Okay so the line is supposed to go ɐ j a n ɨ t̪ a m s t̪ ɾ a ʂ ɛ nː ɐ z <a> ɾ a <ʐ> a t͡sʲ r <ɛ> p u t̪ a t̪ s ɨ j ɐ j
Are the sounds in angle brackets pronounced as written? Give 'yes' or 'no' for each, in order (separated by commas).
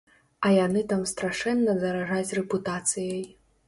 no, yes, yes